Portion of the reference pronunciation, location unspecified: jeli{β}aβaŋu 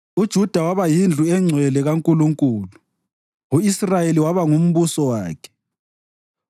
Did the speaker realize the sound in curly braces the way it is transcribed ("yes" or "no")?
no